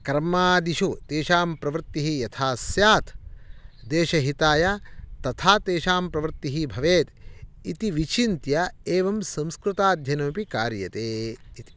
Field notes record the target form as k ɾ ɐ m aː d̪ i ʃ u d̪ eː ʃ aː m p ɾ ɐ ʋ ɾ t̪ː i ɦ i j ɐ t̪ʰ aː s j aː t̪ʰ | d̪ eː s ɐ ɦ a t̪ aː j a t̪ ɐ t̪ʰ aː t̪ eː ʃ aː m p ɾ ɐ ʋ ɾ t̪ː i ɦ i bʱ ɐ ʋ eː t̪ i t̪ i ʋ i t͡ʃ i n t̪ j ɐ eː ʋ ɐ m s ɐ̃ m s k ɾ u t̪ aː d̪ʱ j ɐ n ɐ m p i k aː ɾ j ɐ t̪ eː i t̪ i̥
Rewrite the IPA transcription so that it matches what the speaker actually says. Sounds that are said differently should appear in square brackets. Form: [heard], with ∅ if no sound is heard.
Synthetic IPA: k ɾ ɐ m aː d̪ i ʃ u [t̪] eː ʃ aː m p ɾ ɐ ʋ ɾ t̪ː i ɦ i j ɐ t̪ʰ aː s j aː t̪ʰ | d̪ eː [ʃ] ɐ ɦ [i] t̪ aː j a t̪ ɐ t̪ʰ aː t̪ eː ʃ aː m p ɾ ɐ ʋ ɾ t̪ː i ɦ i bʱ ɐ ʋ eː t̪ i t̪ i ʋ i t͡ʃ i n t̪ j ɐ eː ʋ ɐ m s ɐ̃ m s k ɾ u t̪ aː d̪ʱ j ɐ n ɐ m p i k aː ɾ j ɐ t̪ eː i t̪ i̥

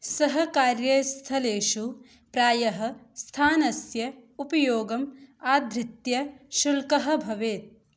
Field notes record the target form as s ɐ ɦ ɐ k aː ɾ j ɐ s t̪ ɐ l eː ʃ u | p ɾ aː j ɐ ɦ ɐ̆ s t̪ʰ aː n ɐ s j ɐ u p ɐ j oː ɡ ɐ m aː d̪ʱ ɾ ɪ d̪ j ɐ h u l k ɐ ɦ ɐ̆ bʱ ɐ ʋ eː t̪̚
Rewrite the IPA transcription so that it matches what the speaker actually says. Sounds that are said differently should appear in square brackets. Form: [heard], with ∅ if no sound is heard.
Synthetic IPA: s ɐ ɦ ɐ k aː ɾ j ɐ s [t̪ʰ] ɐ l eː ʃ u | p ɾ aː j ɐ ɦ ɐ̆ s t̪ʰ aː n ɐ s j ɐ u p ɐ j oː ɡ ɐ m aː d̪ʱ ɾ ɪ [t̪] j ɐ [ʃ] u l k ɐ ɦ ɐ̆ bʱ ɐ ʋ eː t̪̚

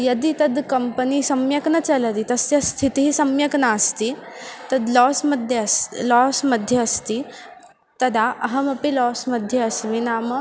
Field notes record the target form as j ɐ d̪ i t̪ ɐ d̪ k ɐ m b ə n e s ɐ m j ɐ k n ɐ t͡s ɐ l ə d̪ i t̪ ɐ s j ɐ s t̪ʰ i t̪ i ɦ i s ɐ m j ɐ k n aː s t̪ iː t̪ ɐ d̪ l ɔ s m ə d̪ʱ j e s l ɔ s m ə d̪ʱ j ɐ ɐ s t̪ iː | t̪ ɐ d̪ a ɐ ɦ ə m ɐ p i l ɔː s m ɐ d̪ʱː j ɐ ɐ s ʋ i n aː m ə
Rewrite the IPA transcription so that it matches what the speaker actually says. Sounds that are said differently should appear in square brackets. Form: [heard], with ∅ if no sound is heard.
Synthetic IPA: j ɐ d̪ i t̪ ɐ d̪ k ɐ m [p] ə n [i] s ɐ m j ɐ k n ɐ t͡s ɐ l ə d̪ i t̪ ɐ s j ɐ s t̪ʰ i t̪ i ɦ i s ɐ m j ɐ k n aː s t̪ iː t̪ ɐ d̪ l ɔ s m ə d̪ʱ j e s l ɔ s m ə d̪ʱ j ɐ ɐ s t̪ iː | t̪ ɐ d̪ a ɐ ɦ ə m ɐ p i l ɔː s m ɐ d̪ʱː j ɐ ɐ s ʋ i n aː m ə

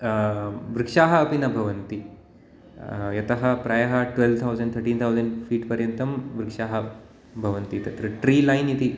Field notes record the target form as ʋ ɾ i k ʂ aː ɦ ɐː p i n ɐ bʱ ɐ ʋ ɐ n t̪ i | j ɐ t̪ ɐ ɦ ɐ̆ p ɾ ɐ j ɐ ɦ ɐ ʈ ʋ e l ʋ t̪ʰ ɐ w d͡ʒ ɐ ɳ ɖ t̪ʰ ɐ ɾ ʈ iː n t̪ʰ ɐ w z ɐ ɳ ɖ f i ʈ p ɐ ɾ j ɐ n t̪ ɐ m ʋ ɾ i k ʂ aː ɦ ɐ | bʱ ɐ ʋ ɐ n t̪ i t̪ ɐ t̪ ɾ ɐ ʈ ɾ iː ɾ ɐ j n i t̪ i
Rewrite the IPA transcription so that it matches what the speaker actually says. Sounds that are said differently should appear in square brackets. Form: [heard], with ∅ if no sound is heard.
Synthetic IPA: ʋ ɾ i k ʂ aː ɦ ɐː p i n ɐ bʱ ɐ ʋ ɐ n t̪ i | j ɐ t̪ ɐ ɦ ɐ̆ p ɾ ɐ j ɐ ɦ ɐ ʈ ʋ e l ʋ t̪ʰ ɐ w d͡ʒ ɐ ɳ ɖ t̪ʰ ɐ ɾ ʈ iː n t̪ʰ ɐ w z ɐ ɳ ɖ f [iː] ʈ p ɐ ɾ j ɐ n t̪ ɐ m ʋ ɾ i k ʂ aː ɦ ɐ | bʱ ɐ ʋ ɐ n t̪ i t̪ ɐ t̪ ɾ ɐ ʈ ɾ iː [l] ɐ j n i t̪ i

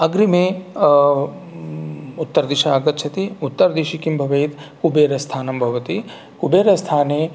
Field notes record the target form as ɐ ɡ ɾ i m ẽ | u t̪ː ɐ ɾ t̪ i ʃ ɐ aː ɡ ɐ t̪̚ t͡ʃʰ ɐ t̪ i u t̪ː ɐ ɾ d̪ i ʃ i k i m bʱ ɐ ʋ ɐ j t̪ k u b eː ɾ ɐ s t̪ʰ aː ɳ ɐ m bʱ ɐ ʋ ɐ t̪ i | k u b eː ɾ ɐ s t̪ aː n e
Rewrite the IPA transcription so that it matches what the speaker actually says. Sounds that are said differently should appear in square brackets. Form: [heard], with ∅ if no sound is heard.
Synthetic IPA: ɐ ɡ ɾ i m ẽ | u t̪ː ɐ ɾ [d̪] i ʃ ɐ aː ɡ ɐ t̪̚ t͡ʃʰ ɐ t̪ i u t̪ː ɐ ɾ d̪ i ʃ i k i m bʱ ɐ ʋ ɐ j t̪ k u b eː ɾ ɐ s t̪ʰ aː [n] ɐ m bʱ ɐ ʋ ɐ t̪ i | k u b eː ɾ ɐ s [t̪ʰ] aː n e

